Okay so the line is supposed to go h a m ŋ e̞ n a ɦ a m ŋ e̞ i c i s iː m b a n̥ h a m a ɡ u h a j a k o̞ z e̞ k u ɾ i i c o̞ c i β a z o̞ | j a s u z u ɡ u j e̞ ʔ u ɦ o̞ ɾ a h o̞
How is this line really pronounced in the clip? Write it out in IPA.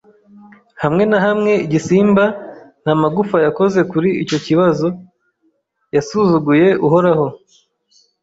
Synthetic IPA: h a m ŋ e̞ n a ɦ a m ŋ e̞ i ɟ i s iː m b a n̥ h a m a ɡ u f a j a k o̞ z e̞ k u ɾ i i c o̞ c i β a z o̞ | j a s u z u ɡ u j e̞ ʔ u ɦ o̞ ɾ a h o̞